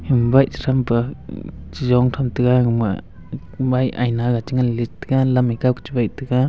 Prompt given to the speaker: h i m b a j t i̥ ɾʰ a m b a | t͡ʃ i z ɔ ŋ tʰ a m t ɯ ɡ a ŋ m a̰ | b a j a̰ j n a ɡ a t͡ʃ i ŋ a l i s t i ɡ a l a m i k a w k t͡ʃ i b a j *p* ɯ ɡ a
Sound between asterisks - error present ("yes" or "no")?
yes